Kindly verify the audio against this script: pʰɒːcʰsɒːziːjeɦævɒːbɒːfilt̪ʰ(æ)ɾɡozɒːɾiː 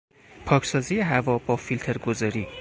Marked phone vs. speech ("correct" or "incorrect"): incorrect